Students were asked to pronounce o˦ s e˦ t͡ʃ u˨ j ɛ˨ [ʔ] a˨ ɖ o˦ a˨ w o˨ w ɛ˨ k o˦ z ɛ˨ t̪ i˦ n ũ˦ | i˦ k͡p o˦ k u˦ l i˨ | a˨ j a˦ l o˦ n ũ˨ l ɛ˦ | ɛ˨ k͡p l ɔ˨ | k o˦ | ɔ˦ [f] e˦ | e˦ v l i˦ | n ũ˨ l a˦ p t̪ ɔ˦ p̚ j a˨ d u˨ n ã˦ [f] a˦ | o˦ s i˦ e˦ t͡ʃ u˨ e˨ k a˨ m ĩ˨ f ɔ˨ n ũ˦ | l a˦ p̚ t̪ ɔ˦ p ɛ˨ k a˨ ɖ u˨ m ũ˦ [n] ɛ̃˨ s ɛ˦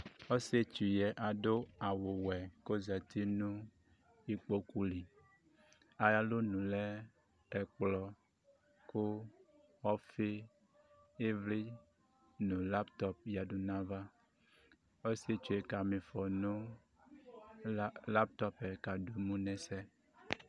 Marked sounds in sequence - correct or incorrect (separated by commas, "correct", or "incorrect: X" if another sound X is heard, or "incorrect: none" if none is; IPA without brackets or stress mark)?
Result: correct, correct, incorrect: v, correct